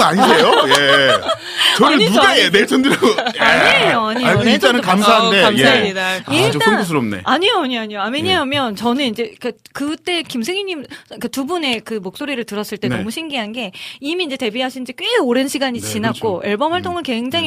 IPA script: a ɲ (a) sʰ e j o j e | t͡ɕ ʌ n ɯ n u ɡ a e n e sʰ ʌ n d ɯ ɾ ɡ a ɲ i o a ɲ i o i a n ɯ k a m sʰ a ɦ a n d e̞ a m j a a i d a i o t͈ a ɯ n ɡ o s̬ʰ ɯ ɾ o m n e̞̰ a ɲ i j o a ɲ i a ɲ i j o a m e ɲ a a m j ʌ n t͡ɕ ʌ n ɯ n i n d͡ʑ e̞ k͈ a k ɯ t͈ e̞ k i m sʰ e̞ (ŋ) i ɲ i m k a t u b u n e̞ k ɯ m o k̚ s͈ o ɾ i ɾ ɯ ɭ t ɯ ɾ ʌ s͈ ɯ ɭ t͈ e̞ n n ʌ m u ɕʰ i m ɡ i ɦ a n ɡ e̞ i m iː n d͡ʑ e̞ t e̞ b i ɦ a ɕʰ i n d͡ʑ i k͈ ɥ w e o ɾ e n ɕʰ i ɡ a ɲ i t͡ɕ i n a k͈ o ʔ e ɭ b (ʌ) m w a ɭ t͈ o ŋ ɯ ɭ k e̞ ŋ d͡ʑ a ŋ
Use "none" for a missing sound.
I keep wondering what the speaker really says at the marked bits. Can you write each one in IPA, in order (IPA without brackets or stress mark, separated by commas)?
i, ŋ, ʌ